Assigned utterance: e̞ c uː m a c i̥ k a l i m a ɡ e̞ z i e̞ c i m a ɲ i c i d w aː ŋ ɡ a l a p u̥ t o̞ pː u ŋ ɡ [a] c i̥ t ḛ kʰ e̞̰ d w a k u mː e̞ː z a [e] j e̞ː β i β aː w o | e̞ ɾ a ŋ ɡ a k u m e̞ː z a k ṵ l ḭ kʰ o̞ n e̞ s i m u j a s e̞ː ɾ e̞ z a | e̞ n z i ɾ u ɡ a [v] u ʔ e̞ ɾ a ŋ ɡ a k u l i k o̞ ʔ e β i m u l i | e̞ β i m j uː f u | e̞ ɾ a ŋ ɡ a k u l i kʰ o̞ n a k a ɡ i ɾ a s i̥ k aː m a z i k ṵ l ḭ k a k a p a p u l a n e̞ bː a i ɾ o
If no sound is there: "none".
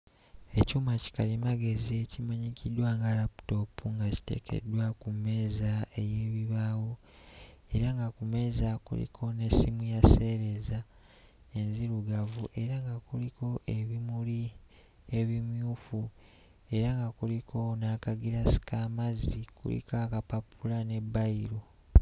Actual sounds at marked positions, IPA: a, e, v

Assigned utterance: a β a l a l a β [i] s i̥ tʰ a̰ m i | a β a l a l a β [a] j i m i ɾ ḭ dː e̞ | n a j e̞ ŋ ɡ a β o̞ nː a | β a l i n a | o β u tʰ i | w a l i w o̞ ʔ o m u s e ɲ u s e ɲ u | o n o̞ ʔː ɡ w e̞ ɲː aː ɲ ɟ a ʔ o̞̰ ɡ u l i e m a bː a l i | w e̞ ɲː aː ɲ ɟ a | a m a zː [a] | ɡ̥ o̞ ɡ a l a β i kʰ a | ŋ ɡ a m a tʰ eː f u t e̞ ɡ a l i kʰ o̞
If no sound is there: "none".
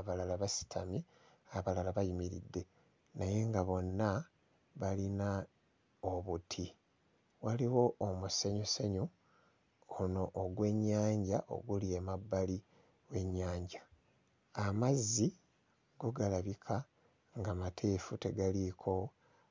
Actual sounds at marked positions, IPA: a, a, i

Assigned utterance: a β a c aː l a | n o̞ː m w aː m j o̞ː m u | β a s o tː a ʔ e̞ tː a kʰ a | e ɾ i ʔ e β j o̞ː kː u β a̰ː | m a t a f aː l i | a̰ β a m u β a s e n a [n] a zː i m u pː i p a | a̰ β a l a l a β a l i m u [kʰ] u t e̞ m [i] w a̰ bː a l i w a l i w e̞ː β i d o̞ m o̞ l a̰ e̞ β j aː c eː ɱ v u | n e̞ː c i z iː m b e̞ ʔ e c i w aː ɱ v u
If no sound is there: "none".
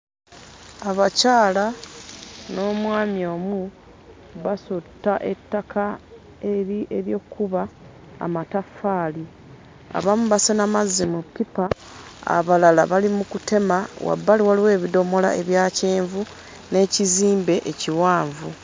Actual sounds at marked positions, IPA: m, k, a

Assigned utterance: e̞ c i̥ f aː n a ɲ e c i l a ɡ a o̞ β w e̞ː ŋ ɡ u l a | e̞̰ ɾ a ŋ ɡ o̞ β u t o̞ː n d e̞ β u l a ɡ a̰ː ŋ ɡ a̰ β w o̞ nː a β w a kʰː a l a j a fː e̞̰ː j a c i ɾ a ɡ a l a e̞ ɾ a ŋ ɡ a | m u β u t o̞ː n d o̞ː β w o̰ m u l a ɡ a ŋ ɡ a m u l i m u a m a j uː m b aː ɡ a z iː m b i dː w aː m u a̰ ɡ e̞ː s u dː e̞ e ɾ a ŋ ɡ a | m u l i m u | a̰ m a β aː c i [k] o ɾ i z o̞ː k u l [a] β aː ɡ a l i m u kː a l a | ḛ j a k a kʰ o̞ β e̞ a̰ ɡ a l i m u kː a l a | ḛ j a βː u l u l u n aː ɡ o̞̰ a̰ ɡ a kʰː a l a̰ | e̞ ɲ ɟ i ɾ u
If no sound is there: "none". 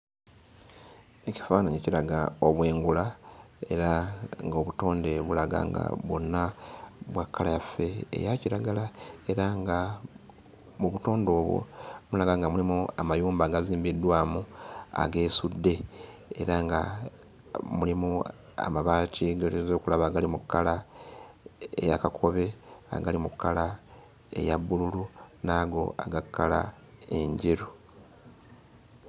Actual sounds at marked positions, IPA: ɡ, a

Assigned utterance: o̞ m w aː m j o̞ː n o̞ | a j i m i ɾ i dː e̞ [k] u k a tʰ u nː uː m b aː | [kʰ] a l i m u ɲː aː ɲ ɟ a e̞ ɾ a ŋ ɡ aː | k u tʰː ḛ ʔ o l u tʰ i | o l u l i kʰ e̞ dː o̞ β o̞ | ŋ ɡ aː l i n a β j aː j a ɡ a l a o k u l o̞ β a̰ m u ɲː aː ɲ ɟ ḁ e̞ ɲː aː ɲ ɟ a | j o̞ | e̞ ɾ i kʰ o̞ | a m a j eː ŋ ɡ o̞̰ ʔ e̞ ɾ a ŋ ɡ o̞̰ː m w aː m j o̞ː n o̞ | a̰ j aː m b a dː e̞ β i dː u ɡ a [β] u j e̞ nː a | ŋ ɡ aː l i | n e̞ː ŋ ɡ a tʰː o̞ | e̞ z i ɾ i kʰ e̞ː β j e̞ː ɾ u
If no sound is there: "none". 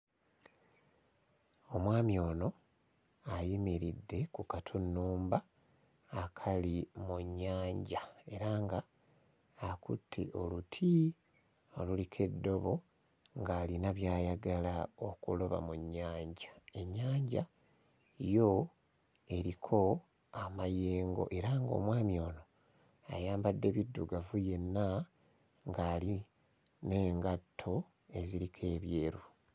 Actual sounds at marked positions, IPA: k, kʰ, v

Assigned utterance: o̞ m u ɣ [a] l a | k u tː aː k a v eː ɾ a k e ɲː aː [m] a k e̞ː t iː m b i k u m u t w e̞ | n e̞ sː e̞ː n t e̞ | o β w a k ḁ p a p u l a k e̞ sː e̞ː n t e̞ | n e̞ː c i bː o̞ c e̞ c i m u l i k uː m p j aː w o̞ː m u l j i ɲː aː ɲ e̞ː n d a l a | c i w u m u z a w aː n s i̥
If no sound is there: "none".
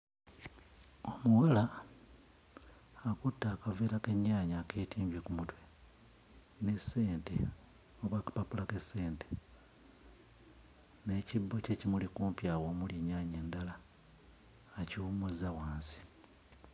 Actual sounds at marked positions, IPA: a, ɲ

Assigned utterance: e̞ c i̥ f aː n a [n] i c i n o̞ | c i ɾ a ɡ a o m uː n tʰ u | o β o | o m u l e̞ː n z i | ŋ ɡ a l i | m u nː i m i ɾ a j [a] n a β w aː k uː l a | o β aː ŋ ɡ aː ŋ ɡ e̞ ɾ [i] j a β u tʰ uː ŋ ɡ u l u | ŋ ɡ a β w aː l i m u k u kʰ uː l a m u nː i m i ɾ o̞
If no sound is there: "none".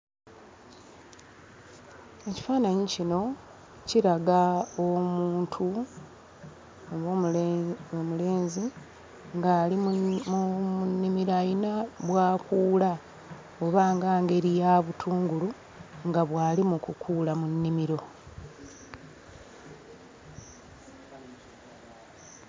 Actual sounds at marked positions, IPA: ɲ, i, i

